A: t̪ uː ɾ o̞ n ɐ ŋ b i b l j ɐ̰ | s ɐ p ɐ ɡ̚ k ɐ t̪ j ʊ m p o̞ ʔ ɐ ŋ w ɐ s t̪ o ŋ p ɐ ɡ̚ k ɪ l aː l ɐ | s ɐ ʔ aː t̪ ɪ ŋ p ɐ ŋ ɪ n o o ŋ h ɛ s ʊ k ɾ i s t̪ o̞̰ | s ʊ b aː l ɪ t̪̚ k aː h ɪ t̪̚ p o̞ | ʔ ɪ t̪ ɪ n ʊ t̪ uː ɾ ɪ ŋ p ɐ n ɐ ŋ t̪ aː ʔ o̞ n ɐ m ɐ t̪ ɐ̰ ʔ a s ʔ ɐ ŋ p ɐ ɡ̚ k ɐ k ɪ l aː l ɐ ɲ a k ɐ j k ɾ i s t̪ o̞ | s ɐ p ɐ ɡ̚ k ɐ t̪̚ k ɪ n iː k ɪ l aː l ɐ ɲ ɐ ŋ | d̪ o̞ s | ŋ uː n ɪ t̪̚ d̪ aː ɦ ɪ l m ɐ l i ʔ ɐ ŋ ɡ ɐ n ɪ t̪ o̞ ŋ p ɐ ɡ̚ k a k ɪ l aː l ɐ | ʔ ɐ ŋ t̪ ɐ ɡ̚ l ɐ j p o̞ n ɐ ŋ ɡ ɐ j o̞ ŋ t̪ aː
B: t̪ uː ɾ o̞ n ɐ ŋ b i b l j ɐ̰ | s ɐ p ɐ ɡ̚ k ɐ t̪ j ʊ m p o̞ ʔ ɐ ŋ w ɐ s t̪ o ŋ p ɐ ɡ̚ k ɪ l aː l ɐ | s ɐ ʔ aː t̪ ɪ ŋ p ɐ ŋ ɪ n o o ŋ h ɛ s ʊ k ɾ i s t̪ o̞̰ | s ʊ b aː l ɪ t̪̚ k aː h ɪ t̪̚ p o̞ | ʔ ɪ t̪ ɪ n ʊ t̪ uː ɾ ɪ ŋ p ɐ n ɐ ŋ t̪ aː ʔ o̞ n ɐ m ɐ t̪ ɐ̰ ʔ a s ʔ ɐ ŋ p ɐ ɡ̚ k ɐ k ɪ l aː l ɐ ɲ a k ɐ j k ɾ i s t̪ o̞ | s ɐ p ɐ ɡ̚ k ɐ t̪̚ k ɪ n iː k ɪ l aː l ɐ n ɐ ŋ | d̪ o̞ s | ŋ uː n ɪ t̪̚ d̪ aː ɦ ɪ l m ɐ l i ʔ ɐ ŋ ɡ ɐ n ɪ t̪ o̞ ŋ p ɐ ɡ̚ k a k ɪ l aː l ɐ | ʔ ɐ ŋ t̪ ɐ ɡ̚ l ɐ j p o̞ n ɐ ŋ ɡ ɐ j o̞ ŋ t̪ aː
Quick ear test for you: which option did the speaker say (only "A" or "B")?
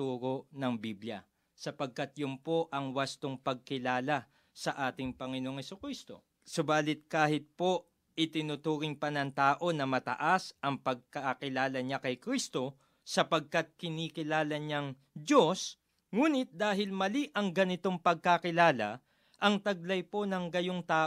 A